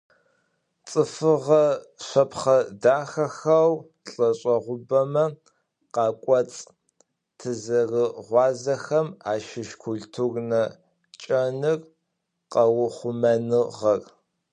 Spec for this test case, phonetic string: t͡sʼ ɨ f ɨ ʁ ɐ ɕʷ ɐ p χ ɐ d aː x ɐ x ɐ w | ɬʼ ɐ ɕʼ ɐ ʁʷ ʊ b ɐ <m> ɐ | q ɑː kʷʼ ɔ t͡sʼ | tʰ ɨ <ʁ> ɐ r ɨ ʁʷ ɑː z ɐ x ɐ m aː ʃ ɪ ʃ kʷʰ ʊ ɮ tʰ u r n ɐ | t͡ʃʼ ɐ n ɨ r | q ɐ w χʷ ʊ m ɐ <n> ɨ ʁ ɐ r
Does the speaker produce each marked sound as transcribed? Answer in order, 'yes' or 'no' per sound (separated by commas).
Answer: yes, no, yes